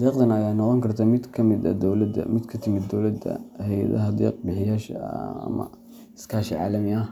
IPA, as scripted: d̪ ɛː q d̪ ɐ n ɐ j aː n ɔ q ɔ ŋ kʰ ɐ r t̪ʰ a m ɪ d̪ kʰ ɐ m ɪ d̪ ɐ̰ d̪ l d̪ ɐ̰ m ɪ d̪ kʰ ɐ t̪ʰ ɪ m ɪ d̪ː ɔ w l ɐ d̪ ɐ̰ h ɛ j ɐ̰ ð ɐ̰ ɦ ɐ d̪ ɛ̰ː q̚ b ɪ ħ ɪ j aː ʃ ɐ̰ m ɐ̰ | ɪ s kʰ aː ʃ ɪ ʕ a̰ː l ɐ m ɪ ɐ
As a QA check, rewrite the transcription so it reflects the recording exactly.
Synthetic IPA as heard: d̪ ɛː q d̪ ɐ n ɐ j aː n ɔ q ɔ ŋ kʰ ɐ r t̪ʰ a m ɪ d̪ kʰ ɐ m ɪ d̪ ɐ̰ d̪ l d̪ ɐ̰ m ɪ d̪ kʰ ɐ t̪ʰ ɪ m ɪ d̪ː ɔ w l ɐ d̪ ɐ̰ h ɛ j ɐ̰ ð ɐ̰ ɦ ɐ d̪ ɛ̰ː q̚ b ɪ ħ ɪ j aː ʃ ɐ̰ m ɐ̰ | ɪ s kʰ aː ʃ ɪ ʕ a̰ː l ɐ m ɪ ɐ